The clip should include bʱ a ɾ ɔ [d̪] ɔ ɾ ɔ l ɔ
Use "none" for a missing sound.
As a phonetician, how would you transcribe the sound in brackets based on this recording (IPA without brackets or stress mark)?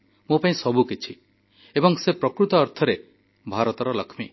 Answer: t̪